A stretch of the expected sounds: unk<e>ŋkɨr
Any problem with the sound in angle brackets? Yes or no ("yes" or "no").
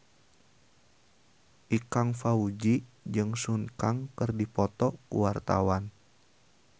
yes